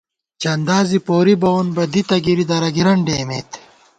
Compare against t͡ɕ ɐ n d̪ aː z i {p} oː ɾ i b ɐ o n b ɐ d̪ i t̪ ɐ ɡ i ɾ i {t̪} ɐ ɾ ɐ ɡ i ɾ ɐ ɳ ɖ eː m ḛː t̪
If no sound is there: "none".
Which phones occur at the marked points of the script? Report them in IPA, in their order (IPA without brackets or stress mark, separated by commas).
p, d̪